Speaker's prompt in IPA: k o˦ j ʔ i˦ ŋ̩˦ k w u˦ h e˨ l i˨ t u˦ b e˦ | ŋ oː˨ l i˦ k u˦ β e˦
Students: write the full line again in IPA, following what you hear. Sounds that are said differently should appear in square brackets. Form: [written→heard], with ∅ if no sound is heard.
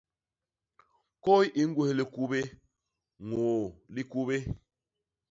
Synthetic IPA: k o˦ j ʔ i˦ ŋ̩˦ [k→ɡ] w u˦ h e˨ l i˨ [t→k] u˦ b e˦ | ŋ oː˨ l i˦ k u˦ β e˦

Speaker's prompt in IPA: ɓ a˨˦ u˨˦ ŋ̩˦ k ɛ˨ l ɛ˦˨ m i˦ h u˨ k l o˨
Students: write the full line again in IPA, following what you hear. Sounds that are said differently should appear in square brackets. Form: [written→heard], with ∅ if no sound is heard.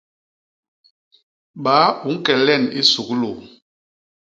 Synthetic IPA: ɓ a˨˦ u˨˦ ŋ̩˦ k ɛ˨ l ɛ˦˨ [m→n] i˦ [h→s] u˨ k l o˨

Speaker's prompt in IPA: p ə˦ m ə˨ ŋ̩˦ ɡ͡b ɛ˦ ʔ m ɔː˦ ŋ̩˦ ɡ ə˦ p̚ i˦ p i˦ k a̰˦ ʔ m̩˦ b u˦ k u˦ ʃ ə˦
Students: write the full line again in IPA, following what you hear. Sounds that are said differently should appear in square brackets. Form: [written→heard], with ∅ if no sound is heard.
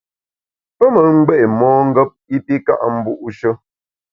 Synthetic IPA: p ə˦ m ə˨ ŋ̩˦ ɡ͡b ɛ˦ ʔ m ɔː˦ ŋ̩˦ ɡ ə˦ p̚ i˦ p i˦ k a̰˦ ʔ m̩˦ b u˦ [k→ʔ] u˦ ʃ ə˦

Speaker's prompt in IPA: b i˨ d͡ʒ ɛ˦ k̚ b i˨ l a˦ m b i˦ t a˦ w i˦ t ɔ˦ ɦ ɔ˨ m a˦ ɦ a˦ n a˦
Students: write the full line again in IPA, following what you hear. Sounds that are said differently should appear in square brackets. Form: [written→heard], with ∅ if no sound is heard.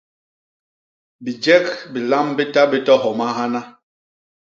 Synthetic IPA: b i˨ d͡ʒ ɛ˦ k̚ b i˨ l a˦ m b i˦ t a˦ [w→b] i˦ t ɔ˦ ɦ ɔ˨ m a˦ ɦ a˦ n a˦

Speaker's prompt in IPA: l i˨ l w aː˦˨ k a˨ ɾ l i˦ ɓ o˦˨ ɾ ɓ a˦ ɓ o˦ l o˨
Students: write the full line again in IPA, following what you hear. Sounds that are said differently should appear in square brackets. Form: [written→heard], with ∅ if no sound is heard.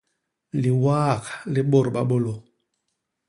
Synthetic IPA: l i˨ [l→∅] w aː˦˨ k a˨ [ɾ→∅] l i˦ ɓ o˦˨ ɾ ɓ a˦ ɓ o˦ l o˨

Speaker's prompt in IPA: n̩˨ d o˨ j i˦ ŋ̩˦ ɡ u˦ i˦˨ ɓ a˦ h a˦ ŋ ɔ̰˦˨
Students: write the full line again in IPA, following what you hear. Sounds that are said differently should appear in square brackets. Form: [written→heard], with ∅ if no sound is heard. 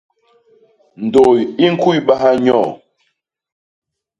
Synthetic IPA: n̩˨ d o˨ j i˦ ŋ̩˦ [ɡ→k] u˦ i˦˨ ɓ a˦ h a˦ [ŋ→ɲ] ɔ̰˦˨

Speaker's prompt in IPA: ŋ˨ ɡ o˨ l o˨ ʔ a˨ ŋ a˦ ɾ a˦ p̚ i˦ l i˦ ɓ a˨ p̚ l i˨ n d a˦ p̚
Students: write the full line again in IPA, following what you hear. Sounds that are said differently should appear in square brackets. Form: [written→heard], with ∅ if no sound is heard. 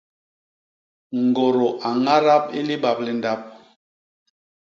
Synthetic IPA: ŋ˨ ɡ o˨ [l→ɾ] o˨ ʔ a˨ ŋ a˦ ɾ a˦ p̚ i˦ l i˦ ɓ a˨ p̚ l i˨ n d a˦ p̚

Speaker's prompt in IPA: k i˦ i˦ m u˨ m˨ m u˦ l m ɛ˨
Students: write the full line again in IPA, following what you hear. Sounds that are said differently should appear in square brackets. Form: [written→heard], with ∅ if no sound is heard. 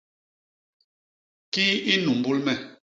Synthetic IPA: k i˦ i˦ [m→n] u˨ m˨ [m→b] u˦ l m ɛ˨

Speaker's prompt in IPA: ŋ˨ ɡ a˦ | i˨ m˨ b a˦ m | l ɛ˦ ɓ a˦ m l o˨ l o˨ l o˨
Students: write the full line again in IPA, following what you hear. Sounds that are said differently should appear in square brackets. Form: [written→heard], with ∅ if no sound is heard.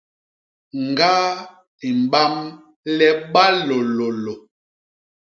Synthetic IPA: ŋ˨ ɡ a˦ | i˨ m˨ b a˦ m | l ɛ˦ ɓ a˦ [m→∅] l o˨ l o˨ l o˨

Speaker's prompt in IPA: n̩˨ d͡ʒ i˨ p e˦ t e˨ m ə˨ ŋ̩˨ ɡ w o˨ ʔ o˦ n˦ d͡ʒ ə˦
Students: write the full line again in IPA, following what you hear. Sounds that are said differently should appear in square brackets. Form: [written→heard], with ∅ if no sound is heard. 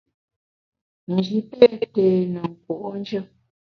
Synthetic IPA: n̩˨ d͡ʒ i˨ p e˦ t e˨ [m→n] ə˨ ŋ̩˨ [ɡ→k] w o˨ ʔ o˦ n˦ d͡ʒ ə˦

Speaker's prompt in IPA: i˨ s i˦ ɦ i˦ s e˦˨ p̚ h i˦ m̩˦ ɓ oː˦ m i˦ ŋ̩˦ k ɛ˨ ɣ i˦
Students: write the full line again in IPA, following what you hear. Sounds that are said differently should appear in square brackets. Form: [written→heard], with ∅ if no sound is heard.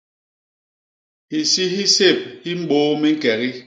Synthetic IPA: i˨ s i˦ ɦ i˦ s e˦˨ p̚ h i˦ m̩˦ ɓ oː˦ m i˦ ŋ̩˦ k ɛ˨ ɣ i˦

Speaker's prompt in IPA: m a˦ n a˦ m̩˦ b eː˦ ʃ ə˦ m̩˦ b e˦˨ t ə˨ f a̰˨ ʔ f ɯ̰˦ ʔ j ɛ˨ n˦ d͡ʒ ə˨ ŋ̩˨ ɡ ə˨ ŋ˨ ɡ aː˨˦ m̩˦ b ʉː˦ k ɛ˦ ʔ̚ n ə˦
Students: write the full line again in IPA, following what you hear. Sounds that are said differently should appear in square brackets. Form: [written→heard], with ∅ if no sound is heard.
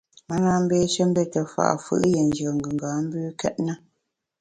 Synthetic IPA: m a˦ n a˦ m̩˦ b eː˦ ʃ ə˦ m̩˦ b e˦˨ t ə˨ f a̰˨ ʔ f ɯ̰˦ ʔ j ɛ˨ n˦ d͡ʒ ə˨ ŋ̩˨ ɡ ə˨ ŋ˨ ɡ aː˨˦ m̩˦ b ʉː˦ k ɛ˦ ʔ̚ n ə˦

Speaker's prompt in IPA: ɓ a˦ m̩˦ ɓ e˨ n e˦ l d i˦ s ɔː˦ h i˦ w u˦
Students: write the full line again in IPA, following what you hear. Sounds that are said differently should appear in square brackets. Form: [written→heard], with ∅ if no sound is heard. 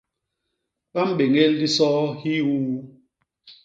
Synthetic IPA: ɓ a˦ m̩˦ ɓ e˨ [n→ŋ] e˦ l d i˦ s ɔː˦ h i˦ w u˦

